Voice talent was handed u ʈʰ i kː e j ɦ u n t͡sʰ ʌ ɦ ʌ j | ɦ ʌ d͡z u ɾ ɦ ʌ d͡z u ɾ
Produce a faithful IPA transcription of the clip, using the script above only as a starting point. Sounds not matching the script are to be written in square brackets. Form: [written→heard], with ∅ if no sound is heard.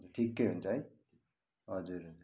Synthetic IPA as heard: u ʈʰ i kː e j ɦ u n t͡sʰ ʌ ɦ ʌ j | ɦ ʌ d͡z u ɾ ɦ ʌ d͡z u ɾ